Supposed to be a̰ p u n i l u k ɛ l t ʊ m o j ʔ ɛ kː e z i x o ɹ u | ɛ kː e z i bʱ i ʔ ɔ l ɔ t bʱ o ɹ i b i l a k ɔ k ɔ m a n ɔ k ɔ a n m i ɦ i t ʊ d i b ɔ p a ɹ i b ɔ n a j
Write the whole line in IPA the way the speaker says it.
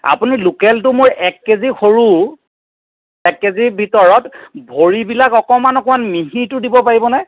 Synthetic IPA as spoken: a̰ p u n i l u k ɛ l t ʊ m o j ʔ ɛ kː e z i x o ɹ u | ɛ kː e z i bʱ i t ɔ ɹ ɔ t bʱ o ɹ i b i l a k ɔ k ɔ m a n ɔ k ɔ a n m i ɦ i t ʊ d i b ɔ p a ɹ i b ɔ n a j